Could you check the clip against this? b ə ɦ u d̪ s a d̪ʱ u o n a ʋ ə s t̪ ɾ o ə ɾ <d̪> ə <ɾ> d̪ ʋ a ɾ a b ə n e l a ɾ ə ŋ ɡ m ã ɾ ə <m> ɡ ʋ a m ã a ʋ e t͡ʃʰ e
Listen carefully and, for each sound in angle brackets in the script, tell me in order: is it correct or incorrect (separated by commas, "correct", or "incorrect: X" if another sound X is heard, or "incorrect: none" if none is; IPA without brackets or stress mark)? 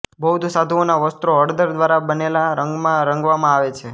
correct, correct, incorrect: ŋ